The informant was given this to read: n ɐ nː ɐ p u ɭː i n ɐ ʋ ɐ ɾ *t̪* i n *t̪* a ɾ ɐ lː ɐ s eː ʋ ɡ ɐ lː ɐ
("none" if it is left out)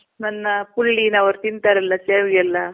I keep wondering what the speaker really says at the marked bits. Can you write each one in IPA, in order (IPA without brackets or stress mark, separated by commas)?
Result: t̪, t̪